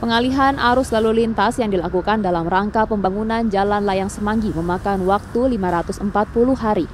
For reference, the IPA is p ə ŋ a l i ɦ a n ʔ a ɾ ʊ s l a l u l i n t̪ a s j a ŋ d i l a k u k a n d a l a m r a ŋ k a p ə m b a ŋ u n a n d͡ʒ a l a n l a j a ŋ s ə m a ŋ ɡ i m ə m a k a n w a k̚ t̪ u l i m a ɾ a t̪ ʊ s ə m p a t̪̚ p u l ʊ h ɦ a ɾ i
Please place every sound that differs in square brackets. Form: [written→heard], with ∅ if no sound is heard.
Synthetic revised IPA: p ə ŋ a l i ɦ a n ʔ a ɾ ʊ s l a l u l i n t̪ a s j a ŋ d i l a k u k a n d a l a m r a ŋ k a p ə m b a ŋ u n a n d͡ʒ a l a n l a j a ŋ s ə m a ŋ ɡ i m ə m a k a n w a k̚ t̪ u l i m a ɾ a t̪ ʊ s ə m p a t̪̚ p u l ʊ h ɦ a ɾ i